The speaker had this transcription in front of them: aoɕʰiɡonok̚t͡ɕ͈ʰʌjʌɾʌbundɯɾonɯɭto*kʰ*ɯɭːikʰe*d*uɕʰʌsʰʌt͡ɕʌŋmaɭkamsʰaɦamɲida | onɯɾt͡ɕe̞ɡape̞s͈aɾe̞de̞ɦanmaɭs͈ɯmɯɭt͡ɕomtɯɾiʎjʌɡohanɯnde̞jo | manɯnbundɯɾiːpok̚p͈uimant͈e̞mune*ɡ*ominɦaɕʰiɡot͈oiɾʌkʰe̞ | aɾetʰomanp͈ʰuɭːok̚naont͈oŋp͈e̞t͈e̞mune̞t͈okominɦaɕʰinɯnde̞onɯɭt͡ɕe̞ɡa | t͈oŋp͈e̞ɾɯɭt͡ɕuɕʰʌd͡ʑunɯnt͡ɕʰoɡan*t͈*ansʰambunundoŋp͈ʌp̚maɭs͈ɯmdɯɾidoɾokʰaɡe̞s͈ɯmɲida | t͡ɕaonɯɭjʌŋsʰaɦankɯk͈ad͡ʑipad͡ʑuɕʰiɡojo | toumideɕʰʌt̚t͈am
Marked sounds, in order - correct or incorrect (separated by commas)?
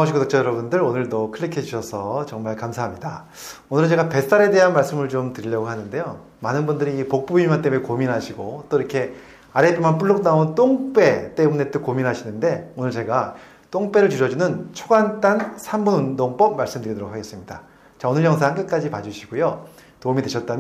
correct, incorrect, incorrect, correct